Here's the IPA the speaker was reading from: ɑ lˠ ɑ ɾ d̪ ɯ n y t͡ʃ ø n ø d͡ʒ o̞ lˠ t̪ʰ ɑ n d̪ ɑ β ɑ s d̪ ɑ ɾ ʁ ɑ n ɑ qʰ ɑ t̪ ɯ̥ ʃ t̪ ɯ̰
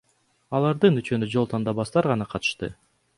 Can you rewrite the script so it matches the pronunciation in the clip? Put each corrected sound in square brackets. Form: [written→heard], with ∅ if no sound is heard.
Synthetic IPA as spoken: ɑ lˠ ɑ ɾ d̪ ɯ n y t͡ʃ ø n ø d͡ʒ o̞ lˠ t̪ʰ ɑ n d̪ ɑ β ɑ s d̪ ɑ ɾ ʁ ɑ n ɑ qʰ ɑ t̪ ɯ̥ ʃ t̪ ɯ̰